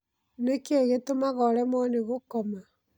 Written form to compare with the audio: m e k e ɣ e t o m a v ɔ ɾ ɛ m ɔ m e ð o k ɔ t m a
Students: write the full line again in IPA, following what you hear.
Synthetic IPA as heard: n e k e ɣ e t o m a ɣ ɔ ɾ ɛ m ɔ n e ɣ o k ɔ m a